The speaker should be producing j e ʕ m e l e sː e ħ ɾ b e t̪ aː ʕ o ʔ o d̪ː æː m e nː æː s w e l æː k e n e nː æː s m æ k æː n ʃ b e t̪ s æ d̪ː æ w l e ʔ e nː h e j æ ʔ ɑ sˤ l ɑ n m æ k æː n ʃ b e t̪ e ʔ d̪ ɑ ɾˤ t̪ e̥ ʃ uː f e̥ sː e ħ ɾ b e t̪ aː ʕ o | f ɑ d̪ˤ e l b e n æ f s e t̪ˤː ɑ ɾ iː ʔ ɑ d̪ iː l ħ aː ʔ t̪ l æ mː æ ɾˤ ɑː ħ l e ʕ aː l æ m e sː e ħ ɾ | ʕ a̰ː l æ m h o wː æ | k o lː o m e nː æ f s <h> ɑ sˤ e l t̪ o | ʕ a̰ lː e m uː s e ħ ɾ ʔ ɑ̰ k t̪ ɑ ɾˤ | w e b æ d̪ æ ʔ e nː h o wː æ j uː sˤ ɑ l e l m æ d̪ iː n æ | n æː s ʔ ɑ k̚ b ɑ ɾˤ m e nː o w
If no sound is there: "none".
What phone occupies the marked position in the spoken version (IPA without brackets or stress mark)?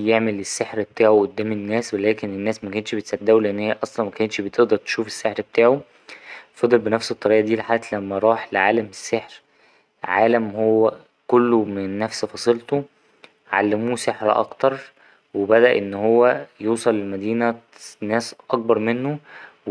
f